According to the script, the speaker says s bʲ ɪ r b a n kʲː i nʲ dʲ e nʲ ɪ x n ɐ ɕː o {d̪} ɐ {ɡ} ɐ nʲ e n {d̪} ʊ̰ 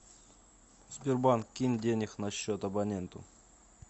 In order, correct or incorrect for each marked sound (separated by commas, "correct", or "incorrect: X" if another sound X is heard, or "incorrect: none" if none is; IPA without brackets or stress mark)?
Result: incorrect: t̪, incorrect: b, incorrect: t̪